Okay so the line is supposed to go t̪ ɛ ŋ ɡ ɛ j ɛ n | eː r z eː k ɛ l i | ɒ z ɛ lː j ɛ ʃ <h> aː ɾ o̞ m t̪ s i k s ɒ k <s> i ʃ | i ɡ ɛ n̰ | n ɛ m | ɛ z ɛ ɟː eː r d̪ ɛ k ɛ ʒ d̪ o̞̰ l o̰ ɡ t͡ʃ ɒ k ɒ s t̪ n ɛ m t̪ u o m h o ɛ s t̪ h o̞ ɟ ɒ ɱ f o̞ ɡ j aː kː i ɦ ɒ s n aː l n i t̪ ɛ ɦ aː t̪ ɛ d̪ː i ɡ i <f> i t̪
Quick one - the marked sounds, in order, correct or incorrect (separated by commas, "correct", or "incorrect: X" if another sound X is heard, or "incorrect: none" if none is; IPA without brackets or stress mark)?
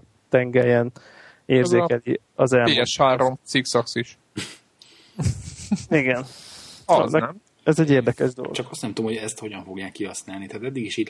correct, correct, incorrect: ʃ